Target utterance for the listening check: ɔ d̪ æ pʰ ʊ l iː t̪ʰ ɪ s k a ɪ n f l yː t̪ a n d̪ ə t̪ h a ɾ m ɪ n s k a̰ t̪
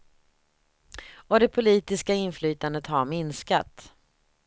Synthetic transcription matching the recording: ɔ d̪ ɛ pʰ ʊ l iː t̪ ɪ s k a ɪ n f l yː t̪ a n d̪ ə t̪ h a ɾ m ɪ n s k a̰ t̪